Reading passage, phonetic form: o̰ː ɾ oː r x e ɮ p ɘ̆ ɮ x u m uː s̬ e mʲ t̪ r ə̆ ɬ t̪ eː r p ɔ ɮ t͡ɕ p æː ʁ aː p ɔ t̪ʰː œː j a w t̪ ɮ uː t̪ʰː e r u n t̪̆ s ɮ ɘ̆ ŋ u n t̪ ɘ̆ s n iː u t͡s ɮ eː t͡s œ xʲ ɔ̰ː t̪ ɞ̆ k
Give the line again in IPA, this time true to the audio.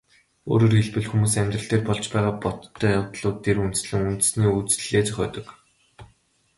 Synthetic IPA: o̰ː ɾ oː r x e ɮ p ɘ̆ ɮ x u m uː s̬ æ mʲ t̪ r ə̆ ɬ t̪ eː r p ɔ ɮ t͡ɕ p æː ʁ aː p ɔ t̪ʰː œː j a w t̪ ɮ ʊː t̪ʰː e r u n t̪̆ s ɮ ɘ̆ ŋ u n t̪ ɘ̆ s n iː u t͡s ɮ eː t͡s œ xʲ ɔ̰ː t̪ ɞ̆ k